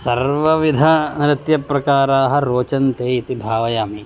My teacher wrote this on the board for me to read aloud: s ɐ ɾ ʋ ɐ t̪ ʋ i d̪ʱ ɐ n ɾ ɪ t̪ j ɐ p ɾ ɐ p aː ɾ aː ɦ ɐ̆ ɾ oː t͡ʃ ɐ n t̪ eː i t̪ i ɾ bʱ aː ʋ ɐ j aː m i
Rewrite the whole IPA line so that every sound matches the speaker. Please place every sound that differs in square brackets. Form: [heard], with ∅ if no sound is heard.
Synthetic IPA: s ɐ ɾ ʋ ɐ [∅] ʋ i d̪ʱ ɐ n ɾ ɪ t̪ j ɐ p ɾ ɐ [k] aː ɾ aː ɦ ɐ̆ ɾ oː t͡ʃ ɐ n t̪ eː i t̪ i [∅] bʱ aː ʋ ɐ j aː m i

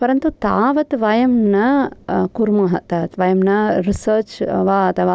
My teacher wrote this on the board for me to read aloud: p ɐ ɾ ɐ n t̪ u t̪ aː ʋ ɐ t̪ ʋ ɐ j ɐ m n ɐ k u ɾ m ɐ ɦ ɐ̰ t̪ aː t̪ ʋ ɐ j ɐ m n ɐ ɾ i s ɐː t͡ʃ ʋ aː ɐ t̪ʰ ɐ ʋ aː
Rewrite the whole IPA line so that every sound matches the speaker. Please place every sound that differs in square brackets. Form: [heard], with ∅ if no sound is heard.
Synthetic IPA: p ɐ ɾ ɐ n t̪ u t̪ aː ʋ ɐ t̪ ʋ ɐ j ɐ m n ɐ k u ɾ m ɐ ɦ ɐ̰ t̪ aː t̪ ʋ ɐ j ɐ m n ɐ ɾ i s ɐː t͡ʃ ʋ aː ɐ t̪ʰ ɐ ʋ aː

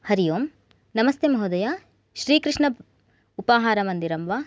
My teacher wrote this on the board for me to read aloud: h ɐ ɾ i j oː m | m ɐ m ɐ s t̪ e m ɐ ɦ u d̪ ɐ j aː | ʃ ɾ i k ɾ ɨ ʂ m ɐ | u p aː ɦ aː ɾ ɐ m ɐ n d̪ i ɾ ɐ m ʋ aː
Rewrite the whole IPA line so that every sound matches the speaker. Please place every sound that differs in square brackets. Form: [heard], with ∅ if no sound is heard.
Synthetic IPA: h ɐ ɾ i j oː m | [n] ɐ m ɐ s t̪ e m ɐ ɦ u d̪ ɐ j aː | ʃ ɾ [iː] k ɾ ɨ ʂ [ɳ] ɐ | u p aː ɦ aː ɾ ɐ m ɐ n d̪ i ɾ ɐ m ʋ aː

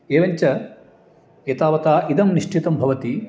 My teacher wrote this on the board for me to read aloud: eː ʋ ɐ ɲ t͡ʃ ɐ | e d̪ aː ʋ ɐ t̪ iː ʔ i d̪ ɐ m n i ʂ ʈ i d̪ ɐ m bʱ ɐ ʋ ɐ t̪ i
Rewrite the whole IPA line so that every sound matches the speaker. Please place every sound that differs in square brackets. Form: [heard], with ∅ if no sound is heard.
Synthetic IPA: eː ʋ ɐ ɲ t͡ʃ ɐ | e [t̪] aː ʋ ɐ t̪ [aː] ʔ i d̪ ɐ m n i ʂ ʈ i [t̪] ɐ m bʱ ɐ ʋ ɐ t̪ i

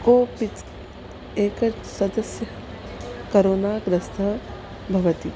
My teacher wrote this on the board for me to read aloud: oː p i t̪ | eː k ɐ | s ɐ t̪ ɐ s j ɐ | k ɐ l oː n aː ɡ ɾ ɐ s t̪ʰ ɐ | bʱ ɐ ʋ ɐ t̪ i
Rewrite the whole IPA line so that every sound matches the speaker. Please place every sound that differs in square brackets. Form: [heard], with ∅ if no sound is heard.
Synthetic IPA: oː p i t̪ | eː k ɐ | s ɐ [d̪] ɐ s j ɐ | k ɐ [ɾ] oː n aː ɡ ɾ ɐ s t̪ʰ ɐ | bʱ ɐ ʋ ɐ t̪ i

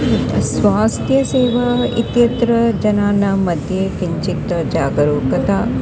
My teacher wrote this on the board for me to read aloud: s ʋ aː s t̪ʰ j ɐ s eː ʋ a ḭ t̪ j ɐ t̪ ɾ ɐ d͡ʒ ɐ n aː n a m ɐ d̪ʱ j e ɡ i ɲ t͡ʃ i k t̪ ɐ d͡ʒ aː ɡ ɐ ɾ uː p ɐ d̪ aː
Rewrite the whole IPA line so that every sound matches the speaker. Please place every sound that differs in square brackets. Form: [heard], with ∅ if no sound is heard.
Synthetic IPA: s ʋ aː s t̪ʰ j ɐ s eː ʋ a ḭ t̪ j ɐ t̪ ɾ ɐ d͡ʒ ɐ n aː n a m ɐ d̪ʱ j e [k] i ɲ t͡ʃ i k t̪ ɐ d͡ʒ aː ɡ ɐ ɾ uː [k] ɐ [t̪] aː

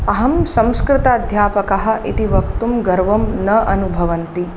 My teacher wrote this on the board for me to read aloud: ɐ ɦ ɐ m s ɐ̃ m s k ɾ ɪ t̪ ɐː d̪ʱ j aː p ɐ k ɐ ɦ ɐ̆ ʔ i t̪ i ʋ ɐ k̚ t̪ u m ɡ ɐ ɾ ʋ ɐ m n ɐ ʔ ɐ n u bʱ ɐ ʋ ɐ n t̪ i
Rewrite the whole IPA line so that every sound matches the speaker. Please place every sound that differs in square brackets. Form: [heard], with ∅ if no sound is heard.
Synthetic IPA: ɐ ɦ ɐ m s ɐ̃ m s k ɾ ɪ t̪ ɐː d̪ʱ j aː p ɐ k ɐ ɦ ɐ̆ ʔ i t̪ i ʋ ɐ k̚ t̪ u m ɡ ɐ ɾ ʋ ɐ m n ɐ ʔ ɐ n u bʱ ɐ ʋ ɐ n t̪ i

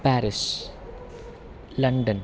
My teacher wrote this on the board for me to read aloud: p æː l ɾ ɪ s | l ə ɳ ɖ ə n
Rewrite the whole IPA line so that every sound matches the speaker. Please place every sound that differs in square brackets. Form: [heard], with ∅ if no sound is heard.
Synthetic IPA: p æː [∅] ɾ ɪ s | l [ɐ] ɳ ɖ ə n

